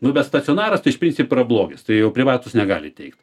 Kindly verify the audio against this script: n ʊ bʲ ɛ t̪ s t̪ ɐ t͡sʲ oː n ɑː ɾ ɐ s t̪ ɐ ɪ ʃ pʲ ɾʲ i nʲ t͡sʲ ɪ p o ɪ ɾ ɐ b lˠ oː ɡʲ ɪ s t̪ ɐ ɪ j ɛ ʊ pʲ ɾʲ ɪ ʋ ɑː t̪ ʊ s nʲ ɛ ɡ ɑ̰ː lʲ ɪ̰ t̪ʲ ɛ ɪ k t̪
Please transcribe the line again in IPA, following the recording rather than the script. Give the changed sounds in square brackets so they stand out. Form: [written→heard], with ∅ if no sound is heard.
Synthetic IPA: n ʊ bʲ ɛ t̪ s t̪ ɐ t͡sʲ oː n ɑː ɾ ɐ s t̪ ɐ ɪ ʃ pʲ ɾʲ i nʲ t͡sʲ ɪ p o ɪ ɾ ɐ b lˠ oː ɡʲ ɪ s t̪ ɐ ɪ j ɛ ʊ pʲ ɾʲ ɪ ʋ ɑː t̪ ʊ s nʲ ɛ ɡ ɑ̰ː lʲ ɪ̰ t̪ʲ ɛ ɪ k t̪